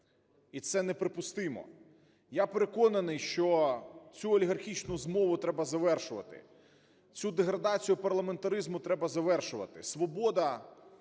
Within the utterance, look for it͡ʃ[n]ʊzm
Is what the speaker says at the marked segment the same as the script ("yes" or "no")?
yes